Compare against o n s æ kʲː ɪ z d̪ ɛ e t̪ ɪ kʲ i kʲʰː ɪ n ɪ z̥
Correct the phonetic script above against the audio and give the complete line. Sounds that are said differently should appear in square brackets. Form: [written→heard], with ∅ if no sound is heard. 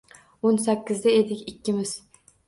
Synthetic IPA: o n s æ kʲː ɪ z d̪ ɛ e [t̪→d̪] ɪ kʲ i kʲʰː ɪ [n→m] ɪ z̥